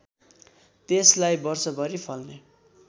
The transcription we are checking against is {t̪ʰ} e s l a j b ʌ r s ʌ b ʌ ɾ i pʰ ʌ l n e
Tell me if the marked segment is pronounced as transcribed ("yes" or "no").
no